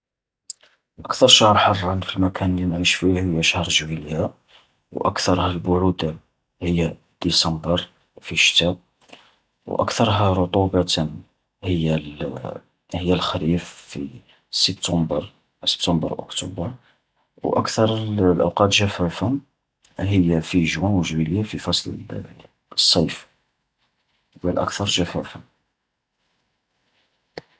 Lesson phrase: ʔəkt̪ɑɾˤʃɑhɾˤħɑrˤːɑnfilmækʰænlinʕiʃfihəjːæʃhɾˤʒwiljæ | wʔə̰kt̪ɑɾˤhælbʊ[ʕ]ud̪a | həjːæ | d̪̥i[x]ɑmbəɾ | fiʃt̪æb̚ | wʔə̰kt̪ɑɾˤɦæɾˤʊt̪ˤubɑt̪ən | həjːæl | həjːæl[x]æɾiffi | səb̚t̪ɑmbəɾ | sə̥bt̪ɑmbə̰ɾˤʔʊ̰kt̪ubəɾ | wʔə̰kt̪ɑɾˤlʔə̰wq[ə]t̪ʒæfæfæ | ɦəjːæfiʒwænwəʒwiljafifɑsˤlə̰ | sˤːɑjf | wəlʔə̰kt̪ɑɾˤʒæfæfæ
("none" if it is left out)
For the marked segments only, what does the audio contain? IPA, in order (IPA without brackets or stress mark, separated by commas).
ʕ, s, x, ɑ